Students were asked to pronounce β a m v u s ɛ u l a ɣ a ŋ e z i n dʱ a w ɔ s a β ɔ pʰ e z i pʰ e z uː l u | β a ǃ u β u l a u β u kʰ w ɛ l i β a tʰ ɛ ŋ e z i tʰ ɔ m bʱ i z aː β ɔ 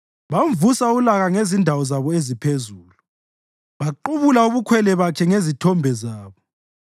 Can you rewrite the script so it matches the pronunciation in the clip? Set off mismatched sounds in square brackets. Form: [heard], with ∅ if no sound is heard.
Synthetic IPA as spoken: β a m v u s [a] u l a ɣ a ŋ e z i n dʱ a w ɔ [z] a β ɔ [∅] e z i pʰ e z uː l u | β a ǃ u β u l a u β u kʰ w ɛ l [ɛ] β a [kʰ] ɛ ŋ e z i tʰ ɔ m bʱ [ɛ] z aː β ɔ

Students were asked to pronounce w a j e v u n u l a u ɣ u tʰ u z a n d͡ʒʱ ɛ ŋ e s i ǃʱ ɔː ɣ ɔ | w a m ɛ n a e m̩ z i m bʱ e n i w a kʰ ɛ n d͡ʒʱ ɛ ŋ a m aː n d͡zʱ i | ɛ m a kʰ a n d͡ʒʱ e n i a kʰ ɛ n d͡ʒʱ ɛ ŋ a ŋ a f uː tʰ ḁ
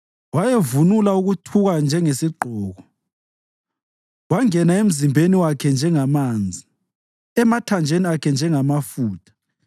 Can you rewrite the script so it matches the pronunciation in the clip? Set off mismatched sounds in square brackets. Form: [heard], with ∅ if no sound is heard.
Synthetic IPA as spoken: w a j e v u n u l a u ɣ u tʰ u [ɣ] a n d͡ʒʱ ɛ ŋ e s i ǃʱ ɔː ɣ ɔ | w a [ŋ] ɛ n a e m̩ z i m bʱ e n i w a kʰ ɛ n d͡ʒʱ ɛ ŋ a m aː n d͡zʱ i | ɛ m a [tʰ] a n d͡ʒʱ e n i a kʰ ɛ n d͡ʒʱ ɛ ŋ a [m] a f uː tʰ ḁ

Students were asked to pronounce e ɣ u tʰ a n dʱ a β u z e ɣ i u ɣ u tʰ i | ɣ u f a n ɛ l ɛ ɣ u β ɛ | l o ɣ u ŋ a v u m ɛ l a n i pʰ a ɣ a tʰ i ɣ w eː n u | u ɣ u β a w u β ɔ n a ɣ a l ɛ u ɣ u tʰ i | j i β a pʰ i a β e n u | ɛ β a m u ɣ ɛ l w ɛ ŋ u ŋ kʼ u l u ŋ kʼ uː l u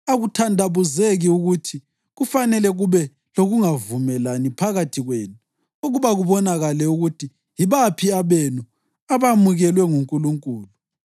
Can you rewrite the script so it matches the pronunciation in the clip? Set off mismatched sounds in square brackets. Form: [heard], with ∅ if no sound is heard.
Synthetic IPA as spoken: [a] ɣ u tʰ a n dʱ a β u z e ɣ i u ɣ u tʰ i | ɣ u f a n ɛ l ɛ ɣ u β ɛ | l o ɣ u ŋ a v u m ɛ l a n i pʰ a ɣ a tʰ i ɣ w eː n u | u ɣ u β a [ɣ] u β ɔ n a ɣ a l ɛ u ɣ u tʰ i | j i β a pʰ i a β e n u | [a] β a m u ɣ ɛ l w ɛ ŋ u ŋ kʼ u l u ŋ kʼ uː l u

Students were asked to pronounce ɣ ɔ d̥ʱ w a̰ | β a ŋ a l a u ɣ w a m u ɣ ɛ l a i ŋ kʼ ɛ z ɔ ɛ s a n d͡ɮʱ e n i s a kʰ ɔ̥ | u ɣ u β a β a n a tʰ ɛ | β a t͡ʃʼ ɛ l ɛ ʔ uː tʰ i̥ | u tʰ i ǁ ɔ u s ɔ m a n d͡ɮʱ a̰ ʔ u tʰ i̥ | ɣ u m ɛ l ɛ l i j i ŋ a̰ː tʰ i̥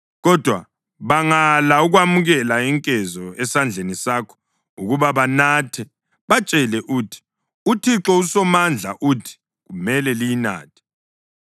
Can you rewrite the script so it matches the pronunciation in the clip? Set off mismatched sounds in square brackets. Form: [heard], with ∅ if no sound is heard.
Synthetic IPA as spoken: ɣ ɔ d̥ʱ w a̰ | β a ŋ a l a u ɣ w a m u ɣ ɛ l a i ŋ kʼ ɛ z ɔ ɛ s a n d͡ɮʱ e n i s a kʰ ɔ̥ | u ɣ u β a β a n a tʰ ɛ | β a t͡ʃʼ ɛ l ɛ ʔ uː tʰ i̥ | u tʰ i ǁ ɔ u s ɔ m a n d͡ɮʱ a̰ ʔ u tʰ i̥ | ɣ u m ɛ l ɛ l i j i [n] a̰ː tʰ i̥

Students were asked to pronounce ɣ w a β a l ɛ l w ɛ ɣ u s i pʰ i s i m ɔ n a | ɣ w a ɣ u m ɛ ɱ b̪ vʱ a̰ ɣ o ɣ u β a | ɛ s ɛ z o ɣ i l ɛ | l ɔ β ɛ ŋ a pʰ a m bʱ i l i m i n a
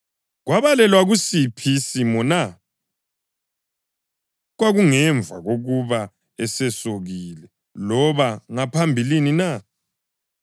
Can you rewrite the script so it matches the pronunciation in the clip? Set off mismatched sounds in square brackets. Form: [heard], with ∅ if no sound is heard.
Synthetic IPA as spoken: ɣ w a β a l ɛ l w [a] ɣ u s i pʰ i s i m ɔ n a | ɣ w a ɣ u [ŋ] ɛ ɱ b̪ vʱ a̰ ɣ o ɣ u β a | ɛ s ɛ [s] o ɣ i l ɛ | l ɔ β [a] ŋ a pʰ a m bʱ i l i [n] i n a

